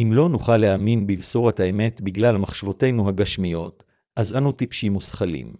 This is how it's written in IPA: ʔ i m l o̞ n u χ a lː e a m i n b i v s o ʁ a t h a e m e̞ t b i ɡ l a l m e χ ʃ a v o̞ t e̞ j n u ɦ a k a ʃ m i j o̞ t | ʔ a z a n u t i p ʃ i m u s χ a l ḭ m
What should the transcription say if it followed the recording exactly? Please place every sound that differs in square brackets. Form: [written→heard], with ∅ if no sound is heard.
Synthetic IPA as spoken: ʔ i m l o̞ n u χ a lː e a m i n b i v s o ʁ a t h a e m e̞ t b i ɡ l a l m [e→a] χ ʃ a v o̞ t e̞ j n u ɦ a [k→ɡ] a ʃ m i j o̞ t | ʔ a z a n u t i p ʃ i m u s χ a l ḭ m